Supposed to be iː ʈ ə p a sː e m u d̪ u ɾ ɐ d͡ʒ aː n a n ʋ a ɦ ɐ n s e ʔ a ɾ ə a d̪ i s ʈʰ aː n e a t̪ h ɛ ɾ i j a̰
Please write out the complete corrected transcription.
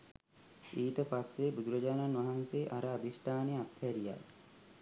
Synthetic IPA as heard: iː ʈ ə p a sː e b u d̪ u ɾ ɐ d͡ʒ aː n a n ʋ a ɦ a n s e ʔ a ɾ ə a d̪ i s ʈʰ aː n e a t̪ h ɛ ɾ i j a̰